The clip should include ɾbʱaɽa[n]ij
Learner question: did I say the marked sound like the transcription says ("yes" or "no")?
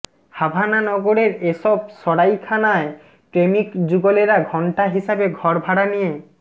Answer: yes